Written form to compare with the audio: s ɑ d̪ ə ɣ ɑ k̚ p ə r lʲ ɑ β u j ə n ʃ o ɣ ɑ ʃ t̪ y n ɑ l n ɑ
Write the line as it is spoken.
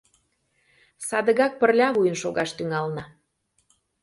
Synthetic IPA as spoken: s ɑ d̪ ə ɣ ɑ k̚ p ə r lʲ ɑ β u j ə n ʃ o ɣ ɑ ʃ t̪ y ŋ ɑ l n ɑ